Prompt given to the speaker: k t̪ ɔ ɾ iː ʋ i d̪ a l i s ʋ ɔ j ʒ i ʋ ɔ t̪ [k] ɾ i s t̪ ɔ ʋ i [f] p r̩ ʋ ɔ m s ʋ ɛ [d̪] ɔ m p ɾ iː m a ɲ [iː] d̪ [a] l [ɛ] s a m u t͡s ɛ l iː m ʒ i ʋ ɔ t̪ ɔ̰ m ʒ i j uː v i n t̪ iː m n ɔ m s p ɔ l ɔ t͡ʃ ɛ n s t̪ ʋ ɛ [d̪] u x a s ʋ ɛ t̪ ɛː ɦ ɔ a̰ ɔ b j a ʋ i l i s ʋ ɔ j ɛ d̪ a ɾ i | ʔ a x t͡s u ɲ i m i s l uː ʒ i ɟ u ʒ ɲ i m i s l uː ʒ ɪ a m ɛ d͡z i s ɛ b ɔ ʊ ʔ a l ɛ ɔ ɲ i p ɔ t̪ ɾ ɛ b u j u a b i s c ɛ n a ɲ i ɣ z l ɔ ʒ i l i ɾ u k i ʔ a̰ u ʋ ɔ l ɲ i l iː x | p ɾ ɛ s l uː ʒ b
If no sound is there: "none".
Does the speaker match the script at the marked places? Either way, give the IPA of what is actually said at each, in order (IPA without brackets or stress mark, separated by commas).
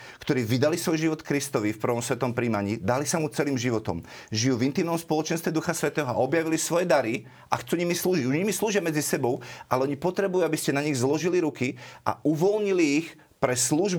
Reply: k, f, t̪, iː, a, i, d̪